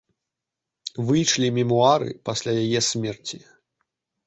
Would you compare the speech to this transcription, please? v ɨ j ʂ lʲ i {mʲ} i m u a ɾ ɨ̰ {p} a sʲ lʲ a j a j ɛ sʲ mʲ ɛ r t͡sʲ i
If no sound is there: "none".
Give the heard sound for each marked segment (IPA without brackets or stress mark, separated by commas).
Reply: mʲ, p